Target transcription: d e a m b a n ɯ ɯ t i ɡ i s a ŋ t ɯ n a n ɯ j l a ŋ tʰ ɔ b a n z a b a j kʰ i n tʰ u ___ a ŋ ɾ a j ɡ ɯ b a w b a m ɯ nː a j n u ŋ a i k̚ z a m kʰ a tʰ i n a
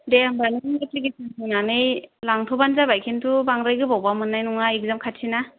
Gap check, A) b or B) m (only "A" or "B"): A